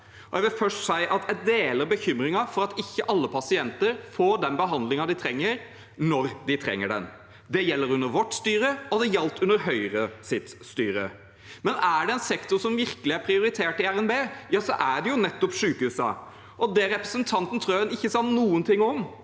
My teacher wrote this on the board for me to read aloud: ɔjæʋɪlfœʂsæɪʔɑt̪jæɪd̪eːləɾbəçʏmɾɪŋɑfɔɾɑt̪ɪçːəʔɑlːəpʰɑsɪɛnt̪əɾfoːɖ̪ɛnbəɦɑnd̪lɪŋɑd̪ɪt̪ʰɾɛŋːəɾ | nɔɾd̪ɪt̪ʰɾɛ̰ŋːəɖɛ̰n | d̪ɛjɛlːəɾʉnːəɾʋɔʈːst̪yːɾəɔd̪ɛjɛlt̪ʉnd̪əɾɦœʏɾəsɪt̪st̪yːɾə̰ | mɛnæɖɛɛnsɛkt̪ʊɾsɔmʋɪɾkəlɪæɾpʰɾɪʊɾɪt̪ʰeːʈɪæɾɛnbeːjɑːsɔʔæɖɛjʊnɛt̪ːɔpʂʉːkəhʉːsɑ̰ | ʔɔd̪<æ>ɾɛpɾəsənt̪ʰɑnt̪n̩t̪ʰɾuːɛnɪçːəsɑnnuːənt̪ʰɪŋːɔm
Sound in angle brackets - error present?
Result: yes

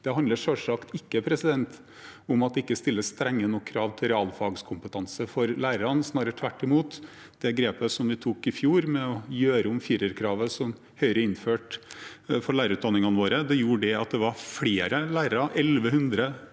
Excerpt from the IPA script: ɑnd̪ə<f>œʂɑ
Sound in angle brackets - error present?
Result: yes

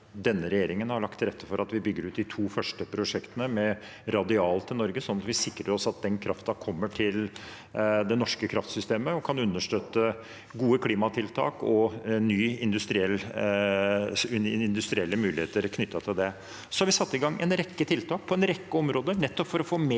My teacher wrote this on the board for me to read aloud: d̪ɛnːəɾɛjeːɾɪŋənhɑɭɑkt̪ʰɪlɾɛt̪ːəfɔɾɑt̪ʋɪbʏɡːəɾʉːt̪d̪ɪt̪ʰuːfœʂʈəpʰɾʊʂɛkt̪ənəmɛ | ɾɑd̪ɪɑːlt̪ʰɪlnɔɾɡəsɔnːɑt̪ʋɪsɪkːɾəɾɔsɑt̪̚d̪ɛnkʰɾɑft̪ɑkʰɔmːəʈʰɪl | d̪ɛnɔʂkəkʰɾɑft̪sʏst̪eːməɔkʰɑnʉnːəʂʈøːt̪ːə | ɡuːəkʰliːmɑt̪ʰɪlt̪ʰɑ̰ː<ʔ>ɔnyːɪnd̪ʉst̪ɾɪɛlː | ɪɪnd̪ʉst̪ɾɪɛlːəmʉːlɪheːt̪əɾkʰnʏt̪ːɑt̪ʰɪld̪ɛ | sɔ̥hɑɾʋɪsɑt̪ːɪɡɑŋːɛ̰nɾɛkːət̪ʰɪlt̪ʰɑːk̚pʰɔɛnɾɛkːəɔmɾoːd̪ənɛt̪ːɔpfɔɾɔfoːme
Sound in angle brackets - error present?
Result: yes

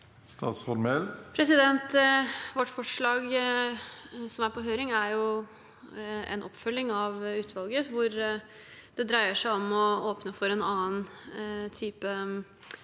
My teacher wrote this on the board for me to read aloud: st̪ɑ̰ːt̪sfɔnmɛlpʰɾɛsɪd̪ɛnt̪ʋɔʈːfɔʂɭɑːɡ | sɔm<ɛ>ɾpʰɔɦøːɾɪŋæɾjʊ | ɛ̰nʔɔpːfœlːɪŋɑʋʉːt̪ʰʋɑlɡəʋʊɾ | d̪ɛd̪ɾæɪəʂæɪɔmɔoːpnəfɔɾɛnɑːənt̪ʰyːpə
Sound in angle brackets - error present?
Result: yes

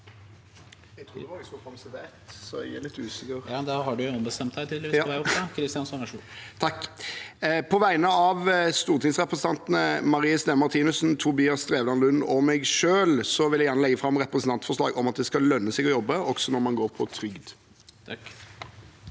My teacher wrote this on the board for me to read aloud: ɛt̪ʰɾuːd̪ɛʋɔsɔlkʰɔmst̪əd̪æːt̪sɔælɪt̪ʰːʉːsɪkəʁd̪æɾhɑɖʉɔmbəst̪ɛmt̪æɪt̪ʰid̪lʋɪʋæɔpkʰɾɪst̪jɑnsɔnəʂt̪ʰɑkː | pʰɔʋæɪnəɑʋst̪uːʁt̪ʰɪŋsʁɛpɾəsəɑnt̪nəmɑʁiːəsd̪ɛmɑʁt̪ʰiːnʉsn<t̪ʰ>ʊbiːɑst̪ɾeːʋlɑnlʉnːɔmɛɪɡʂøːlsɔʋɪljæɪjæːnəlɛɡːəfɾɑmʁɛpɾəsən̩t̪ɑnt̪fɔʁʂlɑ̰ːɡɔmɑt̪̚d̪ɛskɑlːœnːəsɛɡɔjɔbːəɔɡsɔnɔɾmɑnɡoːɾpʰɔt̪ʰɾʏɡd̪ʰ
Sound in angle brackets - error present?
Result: no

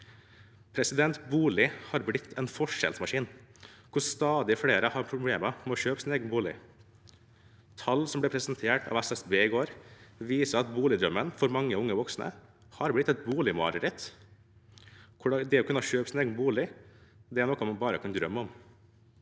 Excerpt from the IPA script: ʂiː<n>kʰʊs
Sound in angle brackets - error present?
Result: no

